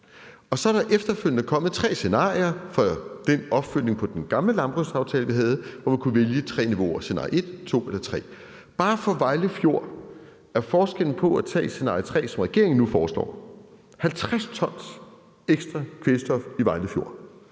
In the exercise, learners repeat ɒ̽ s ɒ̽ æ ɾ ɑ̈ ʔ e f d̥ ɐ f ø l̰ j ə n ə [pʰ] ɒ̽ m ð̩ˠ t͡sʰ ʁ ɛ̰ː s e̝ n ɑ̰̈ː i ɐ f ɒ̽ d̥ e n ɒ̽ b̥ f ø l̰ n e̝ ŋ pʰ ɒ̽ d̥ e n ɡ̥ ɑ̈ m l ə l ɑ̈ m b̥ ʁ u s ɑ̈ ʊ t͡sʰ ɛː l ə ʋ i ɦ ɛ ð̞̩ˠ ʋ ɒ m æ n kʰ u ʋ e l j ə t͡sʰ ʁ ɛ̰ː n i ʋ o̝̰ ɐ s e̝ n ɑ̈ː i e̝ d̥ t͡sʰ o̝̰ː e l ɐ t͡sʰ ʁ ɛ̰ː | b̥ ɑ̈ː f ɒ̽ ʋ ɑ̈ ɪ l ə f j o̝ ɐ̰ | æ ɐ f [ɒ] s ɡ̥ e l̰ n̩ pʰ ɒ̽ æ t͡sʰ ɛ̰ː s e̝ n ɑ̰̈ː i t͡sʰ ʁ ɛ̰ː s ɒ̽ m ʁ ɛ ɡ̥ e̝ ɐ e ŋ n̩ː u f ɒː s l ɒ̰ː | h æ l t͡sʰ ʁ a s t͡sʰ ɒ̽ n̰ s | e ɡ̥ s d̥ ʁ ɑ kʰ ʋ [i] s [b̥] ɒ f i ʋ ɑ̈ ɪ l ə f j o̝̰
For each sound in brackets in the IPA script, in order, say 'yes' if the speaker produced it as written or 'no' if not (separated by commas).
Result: no, no, no, no